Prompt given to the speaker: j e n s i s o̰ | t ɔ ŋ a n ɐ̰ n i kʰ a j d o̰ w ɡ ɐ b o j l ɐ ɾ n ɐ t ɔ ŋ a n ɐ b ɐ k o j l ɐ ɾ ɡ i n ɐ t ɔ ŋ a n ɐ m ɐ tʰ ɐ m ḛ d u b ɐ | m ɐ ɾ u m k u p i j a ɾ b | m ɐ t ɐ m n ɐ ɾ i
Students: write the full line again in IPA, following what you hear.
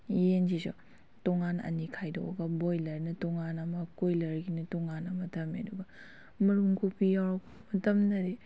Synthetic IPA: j e n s i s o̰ | t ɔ ŋ a n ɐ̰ n i kʰ a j d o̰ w ɡ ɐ b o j l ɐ ɾ n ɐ t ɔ ŋ a n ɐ m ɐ k o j l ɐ ɾ ɡ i n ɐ t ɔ ŋ a n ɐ m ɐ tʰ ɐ m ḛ d u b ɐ | m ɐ ɾ u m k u p i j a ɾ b | m ɐ t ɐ m n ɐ ɾ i

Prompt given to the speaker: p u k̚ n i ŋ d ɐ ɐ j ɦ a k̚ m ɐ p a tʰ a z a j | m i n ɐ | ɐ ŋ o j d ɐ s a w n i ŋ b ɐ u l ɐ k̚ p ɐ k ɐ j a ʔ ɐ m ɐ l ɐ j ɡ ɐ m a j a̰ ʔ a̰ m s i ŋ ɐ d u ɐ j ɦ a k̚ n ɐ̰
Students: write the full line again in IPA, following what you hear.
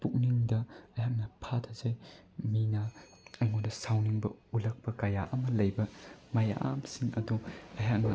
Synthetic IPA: p u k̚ n i ŋ d ɐ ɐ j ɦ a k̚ n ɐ pʰ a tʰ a z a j | m i n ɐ | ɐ ŋ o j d ɐ s a w n i ŋ b ɐ u l ɐ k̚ p ɐ k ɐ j a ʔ ɐ m ɐ l ɐ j b ɐ m a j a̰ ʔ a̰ m s i ŋ ɐ d u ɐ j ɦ a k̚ n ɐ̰

